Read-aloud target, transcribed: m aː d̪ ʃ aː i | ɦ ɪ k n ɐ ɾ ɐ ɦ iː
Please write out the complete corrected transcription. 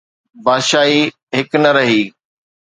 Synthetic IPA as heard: b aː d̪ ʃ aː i | ɦ ɪ k n ɐ ɾ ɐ ɦ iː